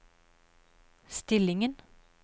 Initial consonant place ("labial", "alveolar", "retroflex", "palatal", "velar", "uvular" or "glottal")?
alveolar